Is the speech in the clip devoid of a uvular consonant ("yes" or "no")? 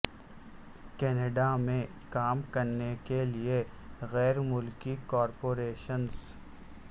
yes